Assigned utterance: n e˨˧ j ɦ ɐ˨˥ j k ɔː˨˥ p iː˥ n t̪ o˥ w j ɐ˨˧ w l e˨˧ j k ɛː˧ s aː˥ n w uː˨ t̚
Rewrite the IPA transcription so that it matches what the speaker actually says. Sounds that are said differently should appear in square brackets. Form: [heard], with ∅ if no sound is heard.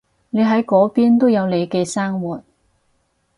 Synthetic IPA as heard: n e˨˧ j ɦ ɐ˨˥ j k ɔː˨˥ p iː˥ n t̪ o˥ w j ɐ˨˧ w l e˨˧ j k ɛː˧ s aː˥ [ŋ] w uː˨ t̚